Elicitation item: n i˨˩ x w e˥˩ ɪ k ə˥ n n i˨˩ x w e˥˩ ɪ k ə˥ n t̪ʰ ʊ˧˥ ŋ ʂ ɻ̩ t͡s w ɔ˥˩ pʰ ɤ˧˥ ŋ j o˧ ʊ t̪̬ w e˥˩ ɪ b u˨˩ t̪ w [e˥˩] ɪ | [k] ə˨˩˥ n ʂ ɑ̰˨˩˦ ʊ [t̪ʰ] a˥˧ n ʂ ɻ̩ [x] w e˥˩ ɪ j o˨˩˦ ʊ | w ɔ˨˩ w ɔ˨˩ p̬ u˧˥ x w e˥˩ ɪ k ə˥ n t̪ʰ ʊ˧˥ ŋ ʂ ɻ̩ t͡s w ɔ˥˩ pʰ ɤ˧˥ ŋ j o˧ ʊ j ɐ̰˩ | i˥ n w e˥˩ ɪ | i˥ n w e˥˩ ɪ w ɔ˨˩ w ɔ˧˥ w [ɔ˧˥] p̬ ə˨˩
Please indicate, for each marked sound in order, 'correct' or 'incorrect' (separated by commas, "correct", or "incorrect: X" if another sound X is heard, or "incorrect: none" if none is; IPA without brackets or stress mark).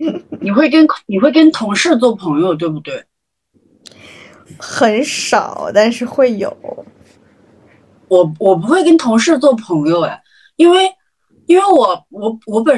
correct, incorrect: x, incorrect: t̪, correct, correct